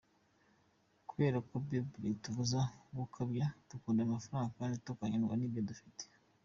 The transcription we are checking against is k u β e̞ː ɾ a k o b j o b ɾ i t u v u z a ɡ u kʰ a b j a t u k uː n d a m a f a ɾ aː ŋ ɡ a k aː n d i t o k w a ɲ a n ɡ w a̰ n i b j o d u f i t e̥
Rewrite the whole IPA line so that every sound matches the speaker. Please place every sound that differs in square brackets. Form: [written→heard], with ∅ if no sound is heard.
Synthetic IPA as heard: k u β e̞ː ɾ a k o b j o b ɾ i t u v u z a ɡ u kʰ a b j a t u k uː n d a m a f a ɾ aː ŋ ɡ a k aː n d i t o k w a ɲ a n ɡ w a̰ n i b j o d u f i t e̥